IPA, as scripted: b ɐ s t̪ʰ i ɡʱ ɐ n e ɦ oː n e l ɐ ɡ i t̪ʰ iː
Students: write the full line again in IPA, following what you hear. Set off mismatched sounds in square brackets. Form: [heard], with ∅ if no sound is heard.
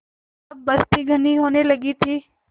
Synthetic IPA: b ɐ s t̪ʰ i ɡʱ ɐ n [i] ɦ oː n e l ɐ ɡ i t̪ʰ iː

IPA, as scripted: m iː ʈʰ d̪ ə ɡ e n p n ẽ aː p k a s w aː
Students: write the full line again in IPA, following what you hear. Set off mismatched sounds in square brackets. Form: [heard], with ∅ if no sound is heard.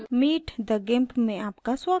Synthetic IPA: m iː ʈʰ d̪ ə ɡ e [m] p [m] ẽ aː p k a s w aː

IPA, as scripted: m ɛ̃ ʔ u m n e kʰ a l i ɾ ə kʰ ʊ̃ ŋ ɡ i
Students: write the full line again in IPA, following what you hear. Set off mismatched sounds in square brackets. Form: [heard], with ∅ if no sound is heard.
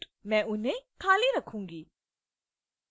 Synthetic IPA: m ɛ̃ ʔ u [∅] n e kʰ a l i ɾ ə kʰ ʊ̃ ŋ ɡ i

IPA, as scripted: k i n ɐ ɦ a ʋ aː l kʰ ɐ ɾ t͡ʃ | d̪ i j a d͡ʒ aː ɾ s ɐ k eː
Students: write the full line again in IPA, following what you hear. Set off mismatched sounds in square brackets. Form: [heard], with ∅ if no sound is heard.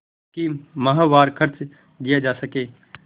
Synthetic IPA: k i [m] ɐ ɦ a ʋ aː [ɾ] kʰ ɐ ɾ t͡ʃ | d̪ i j a d͡ʒ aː [∅] s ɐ k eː

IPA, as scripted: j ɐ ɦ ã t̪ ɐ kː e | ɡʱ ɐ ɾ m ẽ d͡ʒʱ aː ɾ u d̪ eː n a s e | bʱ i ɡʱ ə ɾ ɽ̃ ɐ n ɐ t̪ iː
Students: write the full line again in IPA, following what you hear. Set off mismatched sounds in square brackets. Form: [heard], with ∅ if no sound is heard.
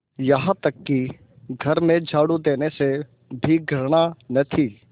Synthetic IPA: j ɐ ɦ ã t̪ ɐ kː [i] | ɡʱ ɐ ɾ m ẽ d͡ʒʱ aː [ɽ] u d̪ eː n [e] s e | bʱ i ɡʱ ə ɾ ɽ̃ [a] n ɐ [t̪ʰ] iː

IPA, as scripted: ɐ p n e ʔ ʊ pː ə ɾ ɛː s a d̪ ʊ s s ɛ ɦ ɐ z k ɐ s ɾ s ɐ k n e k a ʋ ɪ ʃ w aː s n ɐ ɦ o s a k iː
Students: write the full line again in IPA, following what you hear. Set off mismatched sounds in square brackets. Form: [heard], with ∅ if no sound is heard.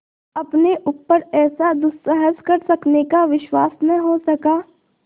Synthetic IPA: ɐ p n e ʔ ʊ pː ə ɾ ɛː s a d̪ ʊ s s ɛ ɦ [ə] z k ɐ [∅] ɾ s ɐ k n e k a ʋ ɪ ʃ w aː s n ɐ ɦ o s [ɐ] k [aː]

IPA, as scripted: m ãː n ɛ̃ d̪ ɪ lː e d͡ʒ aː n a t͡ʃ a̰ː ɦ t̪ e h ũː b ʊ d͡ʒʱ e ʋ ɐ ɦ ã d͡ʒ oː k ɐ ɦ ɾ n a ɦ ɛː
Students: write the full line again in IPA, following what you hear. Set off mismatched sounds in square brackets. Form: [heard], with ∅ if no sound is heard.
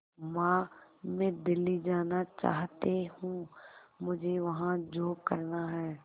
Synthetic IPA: m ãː [m] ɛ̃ d̪ ɪ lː [i] d͡ʒ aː n a t͡ʃ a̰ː ɦ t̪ e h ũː [m] ʊ d͡ʒʱ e ʋ ɐ ɦ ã d͡ʒ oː k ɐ [∅] ɾ n a ɦ ɛː

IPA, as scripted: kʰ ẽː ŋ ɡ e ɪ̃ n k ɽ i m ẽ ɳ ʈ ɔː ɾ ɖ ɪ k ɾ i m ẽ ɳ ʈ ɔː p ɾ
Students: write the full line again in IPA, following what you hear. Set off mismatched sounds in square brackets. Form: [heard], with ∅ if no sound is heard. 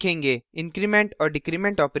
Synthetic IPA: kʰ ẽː ŋ ɡ e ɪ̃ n k [ɾ] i m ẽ ɳ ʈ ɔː ɾ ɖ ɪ k ɾ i m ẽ ɳ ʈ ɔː p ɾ

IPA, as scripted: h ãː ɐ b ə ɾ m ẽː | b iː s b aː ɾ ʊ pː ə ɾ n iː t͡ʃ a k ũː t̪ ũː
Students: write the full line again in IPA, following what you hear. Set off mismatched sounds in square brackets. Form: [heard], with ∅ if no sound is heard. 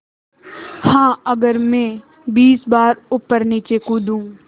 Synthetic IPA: h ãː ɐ [ɡ] ə ɾ m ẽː | b iː s b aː ɾ ʊ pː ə ɾ n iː t͡ʃ [e] k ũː [d̪] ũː

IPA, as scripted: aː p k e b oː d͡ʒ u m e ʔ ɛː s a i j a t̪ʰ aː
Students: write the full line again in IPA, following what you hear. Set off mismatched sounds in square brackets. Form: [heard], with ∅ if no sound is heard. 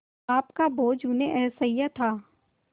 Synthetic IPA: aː p k [a] b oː d͡ʒ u [n] e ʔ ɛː s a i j a t̪ʰ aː

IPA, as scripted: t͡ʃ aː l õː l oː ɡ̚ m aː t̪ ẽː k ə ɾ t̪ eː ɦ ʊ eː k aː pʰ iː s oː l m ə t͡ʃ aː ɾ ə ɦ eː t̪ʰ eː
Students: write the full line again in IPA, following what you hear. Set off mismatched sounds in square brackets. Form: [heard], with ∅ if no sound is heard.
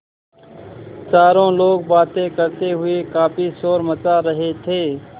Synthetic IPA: t͡ʃ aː [ɾ] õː l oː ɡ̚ [b] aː t̪ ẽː k ə ɾ t̪ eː ɦ ʊ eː k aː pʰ iː s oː [ɾ] m ə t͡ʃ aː ɾ ə ɦ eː t̪ʰ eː

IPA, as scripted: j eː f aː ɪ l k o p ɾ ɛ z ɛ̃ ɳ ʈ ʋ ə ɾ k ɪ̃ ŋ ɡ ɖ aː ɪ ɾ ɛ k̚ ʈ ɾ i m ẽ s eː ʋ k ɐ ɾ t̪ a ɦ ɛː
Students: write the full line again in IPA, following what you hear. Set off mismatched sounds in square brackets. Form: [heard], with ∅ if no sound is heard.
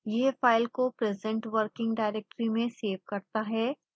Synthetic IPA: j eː f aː ɪ l k o p ɾ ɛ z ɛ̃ ɳ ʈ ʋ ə ɾ k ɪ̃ ŋ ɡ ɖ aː ɪ ɾ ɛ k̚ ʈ ɾ i m ẽ s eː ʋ k ɐ ɾ t̪ a ɦ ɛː

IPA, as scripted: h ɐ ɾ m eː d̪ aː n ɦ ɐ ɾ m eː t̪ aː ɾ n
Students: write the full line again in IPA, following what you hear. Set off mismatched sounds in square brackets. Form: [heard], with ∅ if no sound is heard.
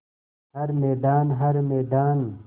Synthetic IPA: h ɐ ɾ m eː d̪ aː n ɦ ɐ ɾ m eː [d̪] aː [∅] n

